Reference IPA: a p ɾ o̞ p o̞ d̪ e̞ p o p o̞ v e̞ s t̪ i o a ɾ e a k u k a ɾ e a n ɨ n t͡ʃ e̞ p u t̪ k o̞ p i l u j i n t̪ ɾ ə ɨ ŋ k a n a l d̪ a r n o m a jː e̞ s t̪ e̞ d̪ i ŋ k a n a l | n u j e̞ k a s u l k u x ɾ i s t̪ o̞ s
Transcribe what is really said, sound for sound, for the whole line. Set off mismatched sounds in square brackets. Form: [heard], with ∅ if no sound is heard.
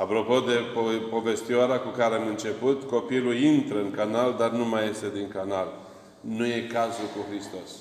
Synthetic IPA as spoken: a p ɾ o̞ p o̞ d̪ e̞ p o p o̞ v e̞ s t̪ i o a ɾ e a k u k a ɾ e a [m] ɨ n t͡ʃ e̞ p u t̪ k o̞ p i l u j i n t̪ ɾ ə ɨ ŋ k a n a l d̪ a r n [u] m a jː e̞ s t̪ e̞ d̪ i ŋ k a n a l | n u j e̞ k a [z] u l k u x ɾ i s t̪ o̞ s